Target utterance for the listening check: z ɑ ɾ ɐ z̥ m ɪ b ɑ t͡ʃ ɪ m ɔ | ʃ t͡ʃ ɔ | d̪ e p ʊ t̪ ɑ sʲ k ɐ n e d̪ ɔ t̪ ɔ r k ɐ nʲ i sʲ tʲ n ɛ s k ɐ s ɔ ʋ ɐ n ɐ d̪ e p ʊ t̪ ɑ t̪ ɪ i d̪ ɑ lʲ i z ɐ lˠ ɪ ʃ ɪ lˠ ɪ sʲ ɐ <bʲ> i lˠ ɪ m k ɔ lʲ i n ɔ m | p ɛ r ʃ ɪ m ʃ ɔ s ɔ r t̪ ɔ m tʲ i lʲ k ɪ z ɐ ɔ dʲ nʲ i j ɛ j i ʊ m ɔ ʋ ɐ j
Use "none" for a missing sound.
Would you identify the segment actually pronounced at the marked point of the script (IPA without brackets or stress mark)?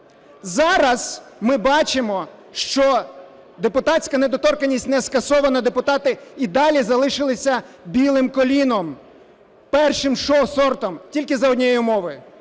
bʲ